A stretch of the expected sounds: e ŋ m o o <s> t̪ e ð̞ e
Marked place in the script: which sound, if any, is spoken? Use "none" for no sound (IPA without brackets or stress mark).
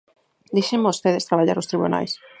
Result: s